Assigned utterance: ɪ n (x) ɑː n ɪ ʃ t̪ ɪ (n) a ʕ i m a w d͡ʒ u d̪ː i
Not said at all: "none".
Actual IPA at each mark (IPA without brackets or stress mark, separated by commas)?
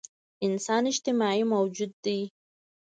s, m